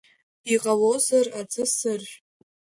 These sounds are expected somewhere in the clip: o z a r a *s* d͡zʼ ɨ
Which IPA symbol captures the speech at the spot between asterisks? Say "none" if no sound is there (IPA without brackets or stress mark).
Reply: none